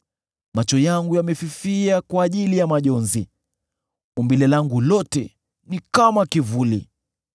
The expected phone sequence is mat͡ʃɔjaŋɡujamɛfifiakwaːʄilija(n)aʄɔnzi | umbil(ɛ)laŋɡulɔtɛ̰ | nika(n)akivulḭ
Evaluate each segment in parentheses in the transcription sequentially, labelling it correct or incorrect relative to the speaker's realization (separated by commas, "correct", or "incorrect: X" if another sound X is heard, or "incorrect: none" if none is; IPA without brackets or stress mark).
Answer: incorrect: m, correct, incorrect: m